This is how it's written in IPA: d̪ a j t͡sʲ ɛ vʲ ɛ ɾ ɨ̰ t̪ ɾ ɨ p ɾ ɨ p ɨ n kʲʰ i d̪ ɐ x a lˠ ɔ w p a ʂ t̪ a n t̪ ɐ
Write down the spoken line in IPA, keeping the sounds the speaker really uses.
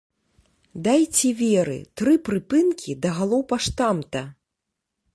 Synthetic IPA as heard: d̪ a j t͡sʲ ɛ vʲ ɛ ɾ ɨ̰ t̪ ɾ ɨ p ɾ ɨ p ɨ n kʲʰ i d̪ ɐ ɣ a lˠ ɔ w p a ʂ t̪ a m t̪ ɐ